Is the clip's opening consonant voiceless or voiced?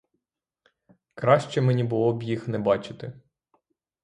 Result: voiceless